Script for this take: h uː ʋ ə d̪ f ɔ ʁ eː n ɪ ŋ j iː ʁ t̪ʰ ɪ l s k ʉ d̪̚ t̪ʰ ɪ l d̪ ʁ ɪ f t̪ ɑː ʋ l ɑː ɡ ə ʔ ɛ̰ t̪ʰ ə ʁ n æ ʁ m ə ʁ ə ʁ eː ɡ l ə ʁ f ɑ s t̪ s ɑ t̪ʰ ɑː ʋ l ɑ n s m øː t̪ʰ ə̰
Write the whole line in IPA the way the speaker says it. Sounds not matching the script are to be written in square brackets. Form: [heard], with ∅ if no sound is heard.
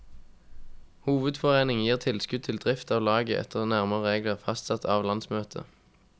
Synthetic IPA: h uː ʋ ə d̪ f ɔ ʁ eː n ɪ ŋ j iː ʁ t̪ʰ ɪ l s k ʉ d̪̚ t̪ʰ ɪ l d̪ ʁ ɪ f t̪ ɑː ʋ l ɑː ɡ ə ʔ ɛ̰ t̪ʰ ə ʁ n æ ʁ m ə ʁ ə ʁ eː ɡ l ə ʁ f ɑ s t̪ s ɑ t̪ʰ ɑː ʋ l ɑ n s m øː t̪ʰ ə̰